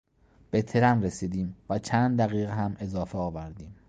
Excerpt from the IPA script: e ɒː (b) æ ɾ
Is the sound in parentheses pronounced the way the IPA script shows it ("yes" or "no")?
no